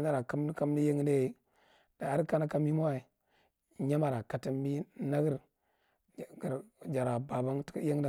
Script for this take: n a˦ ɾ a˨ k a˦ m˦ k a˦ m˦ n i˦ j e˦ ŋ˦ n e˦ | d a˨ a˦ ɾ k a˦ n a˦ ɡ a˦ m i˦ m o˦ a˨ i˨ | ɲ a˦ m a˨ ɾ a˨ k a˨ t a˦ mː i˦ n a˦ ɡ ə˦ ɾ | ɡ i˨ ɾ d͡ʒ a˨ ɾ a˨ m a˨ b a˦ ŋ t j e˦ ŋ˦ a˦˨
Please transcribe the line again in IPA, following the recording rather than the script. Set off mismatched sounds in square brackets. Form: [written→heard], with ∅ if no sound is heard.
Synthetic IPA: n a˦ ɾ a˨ k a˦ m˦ k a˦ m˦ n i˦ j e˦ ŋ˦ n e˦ | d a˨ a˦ ɾ k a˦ n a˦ [ɡ→k] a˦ m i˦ m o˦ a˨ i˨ | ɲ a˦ m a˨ ɾ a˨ k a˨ t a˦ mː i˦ n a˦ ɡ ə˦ ɾ | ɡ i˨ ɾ d͡ʒ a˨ ɾ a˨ [m→b] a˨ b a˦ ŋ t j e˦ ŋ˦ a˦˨